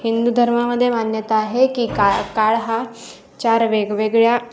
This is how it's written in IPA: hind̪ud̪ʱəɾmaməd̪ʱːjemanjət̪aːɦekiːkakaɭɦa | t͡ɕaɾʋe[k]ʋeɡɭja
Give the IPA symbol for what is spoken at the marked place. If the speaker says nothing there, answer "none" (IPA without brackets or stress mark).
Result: ɡ